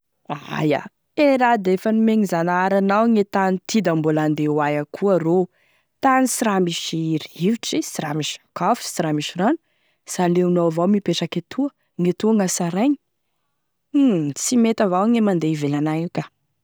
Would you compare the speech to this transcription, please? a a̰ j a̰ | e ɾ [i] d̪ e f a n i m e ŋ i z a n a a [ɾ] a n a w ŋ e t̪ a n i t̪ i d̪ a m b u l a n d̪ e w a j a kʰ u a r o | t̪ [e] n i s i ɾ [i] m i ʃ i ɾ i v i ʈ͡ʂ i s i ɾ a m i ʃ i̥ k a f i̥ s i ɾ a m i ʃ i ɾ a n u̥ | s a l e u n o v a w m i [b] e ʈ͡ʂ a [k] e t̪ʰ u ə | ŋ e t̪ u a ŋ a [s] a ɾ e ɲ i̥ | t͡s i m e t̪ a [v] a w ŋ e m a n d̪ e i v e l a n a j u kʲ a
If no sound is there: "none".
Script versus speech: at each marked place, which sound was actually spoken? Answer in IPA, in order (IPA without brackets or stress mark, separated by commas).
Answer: a, ɾ, a, a, p, k, s, v